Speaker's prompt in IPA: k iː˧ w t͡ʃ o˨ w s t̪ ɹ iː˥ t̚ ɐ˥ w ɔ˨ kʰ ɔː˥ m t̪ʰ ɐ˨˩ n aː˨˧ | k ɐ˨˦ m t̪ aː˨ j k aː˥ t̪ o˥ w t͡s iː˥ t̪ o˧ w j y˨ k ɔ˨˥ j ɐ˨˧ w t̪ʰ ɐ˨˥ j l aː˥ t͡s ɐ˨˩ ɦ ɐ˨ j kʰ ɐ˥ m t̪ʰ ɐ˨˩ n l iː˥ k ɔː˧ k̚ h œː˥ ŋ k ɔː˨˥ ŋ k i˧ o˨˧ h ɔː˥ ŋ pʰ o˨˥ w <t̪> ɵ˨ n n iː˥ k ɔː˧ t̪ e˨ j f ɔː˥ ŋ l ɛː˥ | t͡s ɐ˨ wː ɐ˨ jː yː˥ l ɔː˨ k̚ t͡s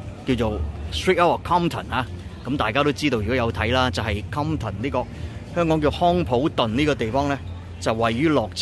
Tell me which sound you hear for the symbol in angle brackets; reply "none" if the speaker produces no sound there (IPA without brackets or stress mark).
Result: t̪